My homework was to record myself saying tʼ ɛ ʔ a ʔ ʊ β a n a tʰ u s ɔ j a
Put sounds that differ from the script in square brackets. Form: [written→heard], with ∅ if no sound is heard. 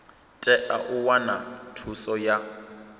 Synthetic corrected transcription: tʼ ɛ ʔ a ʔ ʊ [β→w] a n a tʰ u s ɔ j a